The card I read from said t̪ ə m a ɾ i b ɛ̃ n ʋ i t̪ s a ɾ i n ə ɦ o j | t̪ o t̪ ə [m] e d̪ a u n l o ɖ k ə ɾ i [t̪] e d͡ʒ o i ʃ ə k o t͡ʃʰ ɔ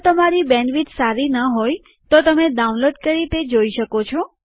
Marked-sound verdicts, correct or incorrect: correct, correct

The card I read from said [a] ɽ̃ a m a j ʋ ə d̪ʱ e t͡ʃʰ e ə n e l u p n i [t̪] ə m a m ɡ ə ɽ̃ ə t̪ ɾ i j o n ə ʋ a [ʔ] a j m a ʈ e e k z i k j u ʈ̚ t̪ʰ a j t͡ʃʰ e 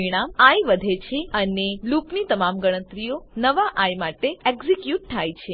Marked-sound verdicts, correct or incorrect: incorrect: i, correct, correct

